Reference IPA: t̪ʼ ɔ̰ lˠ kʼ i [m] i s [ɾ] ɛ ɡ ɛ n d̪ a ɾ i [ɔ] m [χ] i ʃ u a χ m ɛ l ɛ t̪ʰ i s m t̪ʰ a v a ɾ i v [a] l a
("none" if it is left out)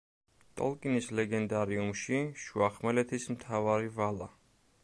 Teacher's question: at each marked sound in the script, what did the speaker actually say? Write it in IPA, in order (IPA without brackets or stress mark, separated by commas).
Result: n, l, u, ʃ, a